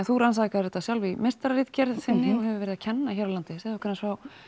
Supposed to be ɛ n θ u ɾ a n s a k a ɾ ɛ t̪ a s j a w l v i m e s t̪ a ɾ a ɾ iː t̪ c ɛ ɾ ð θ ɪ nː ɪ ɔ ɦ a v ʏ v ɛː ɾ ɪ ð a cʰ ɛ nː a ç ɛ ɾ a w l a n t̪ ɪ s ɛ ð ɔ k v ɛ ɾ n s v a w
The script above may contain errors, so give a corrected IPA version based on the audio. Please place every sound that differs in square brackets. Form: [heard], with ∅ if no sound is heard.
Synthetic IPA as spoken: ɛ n θ u ɾ a n s a k a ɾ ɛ t̪ a s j a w l v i m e s t̪ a ɾ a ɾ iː t̪ c ɛ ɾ ð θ ɪ nː ɪ ɔ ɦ [ɛ] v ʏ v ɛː ɾ ɪ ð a cʰ ɛ nː a ç ɛ ɾ a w l a n t̪ ɪ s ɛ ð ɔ k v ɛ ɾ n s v a w